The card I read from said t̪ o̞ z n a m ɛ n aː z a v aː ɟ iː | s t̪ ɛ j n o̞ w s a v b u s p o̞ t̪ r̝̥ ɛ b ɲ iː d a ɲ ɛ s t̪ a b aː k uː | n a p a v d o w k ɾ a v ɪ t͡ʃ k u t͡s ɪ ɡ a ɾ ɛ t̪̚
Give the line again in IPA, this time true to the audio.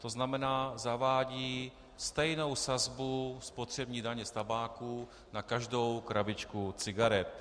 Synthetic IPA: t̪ o̞ z n a m ɛ n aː z a v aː ɟ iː | s t̪ ɛ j n o̞ w s a z b u s p o̞ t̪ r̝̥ ɛ b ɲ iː d a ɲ ɛ s t̪ a b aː k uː | n a k a ʒ d o w k ɾ a v ɪ t͡ʃ k u t͡s ɪ ɡ a ɾ ɛ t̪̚